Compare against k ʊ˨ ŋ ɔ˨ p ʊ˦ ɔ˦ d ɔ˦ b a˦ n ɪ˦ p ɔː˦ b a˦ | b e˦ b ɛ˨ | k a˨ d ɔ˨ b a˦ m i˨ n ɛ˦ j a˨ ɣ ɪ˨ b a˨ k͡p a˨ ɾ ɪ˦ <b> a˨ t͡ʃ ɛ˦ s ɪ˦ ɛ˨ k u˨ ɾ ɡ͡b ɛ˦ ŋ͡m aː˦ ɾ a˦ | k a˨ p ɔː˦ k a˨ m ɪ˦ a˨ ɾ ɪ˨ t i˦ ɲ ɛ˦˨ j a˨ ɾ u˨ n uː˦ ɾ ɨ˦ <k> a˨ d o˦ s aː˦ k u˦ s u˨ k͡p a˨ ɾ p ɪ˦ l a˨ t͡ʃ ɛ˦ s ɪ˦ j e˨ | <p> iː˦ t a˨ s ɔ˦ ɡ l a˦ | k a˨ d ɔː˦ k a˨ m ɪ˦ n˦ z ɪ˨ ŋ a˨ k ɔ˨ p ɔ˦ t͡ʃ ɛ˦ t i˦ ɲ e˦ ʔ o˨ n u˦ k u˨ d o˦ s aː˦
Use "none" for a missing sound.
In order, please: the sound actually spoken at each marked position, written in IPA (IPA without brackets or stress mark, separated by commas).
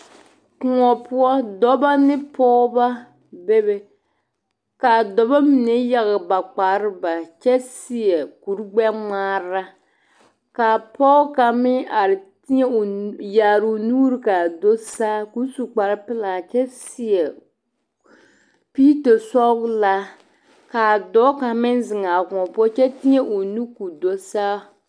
b, k, p